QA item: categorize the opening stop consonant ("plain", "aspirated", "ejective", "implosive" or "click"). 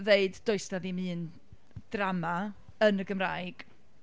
plain